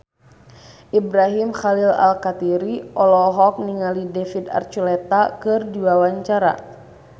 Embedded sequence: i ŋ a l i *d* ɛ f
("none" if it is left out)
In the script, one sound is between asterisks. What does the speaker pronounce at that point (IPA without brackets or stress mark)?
d